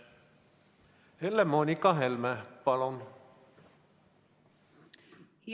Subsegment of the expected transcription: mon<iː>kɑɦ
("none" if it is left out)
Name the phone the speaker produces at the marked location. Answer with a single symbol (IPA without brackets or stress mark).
i